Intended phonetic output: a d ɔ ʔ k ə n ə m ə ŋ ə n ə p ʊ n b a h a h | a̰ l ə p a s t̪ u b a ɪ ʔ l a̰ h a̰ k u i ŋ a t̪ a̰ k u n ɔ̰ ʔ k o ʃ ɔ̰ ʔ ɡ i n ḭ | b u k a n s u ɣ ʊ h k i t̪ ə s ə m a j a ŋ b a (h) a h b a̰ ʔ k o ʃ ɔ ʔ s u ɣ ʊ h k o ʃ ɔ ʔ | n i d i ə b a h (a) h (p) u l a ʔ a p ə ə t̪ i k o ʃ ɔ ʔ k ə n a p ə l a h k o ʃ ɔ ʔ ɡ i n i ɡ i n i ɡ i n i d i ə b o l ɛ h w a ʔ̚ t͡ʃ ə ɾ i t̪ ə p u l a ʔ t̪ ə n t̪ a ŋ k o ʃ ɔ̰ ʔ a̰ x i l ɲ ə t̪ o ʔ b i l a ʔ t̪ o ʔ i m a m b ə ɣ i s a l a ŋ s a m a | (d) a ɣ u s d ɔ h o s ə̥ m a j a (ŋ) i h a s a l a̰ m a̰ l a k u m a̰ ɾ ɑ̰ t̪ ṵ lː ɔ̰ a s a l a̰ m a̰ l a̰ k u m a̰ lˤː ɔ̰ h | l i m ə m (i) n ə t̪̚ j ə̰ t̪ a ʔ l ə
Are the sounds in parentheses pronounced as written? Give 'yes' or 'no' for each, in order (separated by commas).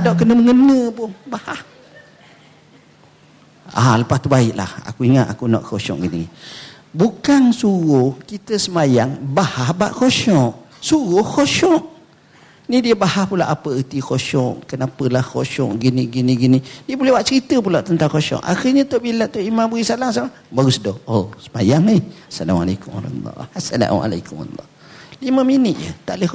yes, yes, yes, no, yes, yes